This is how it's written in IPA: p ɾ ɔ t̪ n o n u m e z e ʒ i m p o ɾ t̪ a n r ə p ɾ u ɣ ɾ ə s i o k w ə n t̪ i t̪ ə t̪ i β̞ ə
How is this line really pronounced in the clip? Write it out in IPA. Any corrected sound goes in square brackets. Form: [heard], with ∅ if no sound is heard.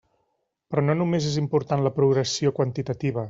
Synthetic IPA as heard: p ɾ ɔ [∅] n o n u m e z e [z] i m p [u] ɾ t̪ a n [l] ə p ɾ u ɣ ɾ ə s i o k w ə n t̪ i t̪ ə t̪ i β̞ ə